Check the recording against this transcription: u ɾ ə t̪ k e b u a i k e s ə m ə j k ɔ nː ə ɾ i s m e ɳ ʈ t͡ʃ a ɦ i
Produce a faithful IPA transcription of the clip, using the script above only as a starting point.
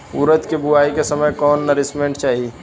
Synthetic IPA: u ɾ ə t̪ k e b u a i k e s ə m ə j k ɔ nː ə ɾ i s m e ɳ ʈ t͡ʃ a ɦ i